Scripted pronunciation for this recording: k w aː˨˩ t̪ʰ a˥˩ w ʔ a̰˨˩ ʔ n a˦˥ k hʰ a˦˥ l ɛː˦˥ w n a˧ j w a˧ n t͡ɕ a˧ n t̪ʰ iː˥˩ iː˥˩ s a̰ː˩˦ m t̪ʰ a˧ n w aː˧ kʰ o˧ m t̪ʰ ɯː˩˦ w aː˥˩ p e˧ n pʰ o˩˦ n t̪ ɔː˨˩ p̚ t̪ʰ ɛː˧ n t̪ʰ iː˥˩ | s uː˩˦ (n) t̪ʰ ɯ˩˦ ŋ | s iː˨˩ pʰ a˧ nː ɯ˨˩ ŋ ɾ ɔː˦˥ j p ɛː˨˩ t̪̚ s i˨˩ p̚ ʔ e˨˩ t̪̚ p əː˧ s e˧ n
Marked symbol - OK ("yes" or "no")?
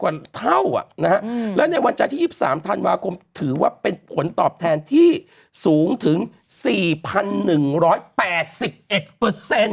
no